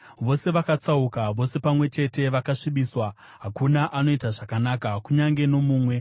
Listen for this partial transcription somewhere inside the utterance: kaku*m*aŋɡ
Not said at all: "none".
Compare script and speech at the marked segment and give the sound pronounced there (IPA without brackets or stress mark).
ɲ